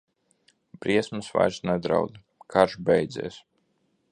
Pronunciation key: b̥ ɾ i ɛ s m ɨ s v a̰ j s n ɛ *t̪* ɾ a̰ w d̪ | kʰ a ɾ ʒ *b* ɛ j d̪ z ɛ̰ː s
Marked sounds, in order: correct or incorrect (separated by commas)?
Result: incorrect, correct